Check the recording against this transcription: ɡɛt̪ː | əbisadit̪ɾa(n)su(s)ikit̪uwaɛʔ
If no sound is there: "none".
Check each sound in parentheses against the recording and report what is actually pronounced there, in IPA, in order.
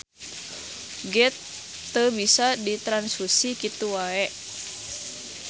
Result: n, s

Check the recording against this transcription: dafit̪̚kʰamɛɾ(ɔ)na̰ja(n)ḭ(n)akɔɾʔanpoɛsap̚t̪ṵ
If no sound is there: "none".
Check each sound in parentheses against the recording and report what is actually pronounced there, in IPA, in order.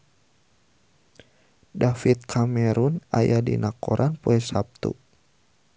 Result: u, d, n

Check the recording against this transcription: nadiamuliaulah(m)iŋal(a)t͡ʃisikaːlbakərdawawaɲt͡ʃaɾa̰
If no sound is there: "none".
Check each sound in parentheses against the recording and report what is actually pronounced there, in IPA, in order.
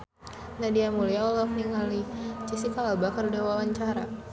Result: n, i

